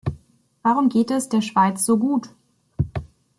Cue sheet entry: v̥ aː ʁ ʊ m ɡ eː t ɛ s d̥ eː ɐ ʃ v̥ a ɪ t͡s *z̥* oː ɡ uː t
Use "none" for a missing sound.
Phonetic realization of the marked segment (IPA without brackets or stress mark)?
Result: z̥